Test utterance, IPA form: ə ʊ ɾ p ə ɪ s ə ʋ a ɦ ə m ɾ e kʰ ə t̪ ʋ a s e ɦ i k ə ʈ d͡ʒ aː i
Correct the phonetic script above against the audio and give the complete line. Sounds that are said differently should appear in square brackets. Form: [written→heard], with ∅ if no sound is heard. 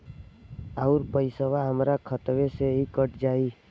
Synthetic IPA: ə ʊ ɾ p ə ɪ s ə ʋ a ɦ ə m ɾ [e→a] kʰ ə t̪ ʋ [a→e] s e ɦ i k ə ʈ d͡ʒ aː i